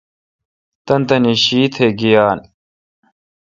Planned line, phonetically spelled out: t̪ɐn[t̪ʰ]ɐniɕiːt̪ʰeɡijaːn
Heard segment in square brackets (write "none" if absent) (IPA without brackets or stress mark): t̪